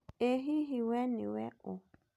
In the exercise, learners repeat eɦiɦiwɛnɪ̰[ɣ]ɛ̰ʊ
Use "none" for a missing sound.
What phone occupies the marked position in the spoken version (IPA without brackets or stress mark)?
w